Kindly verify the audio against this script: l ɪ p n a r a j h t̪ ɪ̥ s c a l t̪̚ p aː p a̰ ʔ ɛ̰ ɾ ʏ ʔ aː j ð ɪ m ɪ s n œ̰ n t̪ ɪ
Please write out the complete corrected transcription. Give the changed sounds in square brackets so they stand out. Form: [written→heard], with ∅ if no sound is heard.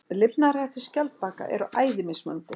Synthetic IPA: l ɪ p n a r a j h t̪ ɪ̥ s c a l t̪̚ p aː [p→k] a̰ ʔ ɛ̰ ɾ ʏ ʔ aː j ð ɪ m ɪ s [n→m] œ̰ n t̪ ɪ